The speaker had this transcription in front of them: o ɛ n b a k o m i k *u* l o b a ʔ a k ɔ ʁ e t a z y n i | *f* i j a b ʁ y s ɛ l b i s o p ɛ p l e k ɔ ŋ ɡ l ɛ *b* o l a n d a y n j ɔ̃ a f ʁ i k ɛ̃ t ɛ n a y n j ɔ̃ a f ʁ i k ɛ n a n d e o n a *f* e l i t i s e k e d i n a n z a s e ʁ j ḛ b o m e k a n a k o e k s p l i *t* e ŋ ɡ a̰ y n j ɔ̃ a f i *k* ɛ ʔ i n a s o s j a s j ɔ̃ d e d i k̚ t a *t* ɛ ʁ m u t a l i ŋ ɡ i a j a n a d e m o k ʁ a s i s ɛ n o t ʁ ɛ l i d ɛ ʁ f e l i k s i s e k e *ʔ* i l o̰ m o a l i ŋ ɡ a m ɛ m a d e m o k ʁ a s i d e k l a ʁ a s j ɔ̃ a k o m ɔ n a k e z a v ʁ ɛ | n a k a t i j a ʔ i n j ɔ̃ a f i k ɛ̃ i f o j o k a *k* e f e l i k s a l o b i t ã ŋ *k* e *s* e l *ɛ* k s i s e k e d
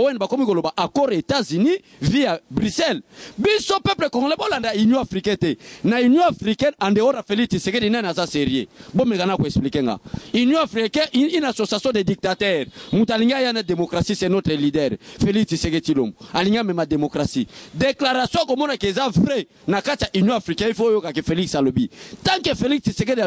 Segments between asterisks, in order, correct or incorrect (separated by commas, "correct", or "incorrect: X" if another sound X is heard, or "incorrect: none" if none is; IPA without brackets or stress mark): incorrect: o, incorrect: v, correct, correct, incorrect: k, correct, correct, incorrect: t, correct, correct, incorrect: f, incorrect: i